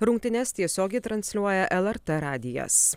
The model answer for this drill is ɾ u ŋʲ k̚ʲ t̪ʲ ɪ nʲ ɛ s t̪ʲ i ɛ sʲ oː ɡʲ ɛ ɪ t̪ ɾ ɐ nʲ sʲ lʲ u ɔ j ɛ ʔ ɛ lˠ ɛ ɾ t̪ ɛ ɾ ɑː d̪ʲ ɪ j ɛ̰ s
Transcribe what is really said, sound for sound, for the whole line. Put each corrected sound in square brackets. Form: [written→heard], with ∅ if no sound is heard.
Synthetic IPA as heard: ɾ [u→ʊ] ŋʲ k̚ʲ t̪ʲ ɪ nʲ ɛ s t̪ʲ i ɛ sʲ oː ɡʲ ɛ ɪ t̪ ɾ ɐ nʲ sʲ lʲ u ɔ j ɛ ʔ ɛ lˠ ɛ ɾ t̪ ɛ ɾ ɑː d̪ʲ ɪ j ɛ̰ s